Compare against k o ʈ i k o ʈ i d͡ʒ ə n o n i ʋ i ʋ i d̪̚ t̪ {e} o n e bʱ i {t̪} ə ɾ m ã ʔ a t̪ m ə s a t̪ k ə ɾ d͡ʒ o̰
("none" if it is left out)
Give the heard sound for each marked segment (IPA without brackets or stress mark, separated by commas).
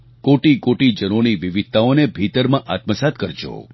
a, t̪